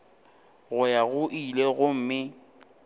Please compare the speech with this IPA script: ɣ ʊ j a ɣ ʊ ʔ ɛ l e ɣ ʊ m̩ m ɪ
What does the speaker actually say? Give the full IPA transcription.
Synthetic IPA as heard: ɣ ʊ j a ɣ ʊ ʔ i l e ɣ ʊ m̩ m ɪ